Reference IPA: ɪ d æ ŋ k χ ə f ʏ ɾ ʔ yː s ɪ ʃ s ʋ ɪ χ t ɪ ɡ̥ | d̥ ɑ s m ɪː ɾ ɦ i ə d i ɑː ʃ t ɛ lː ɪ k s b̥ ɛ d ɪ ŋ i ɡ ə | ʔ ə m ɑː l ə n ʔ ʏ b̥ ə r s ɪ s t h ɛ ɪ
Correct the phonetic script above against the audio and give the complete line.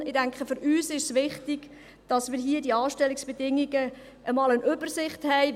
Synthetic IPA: ɪ d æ ŋ k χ ə f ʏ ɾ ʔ yː s ɪ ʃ s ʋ ɪ χ t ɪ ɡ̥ | d̥ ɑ s m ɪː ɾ ɦ i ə d i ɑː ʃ t ɛ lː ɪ k s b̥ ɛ d ɪ ŋ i ɡ ə | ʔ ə m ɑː l ə n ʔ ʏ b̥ ə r s ɪ χ t h ɛ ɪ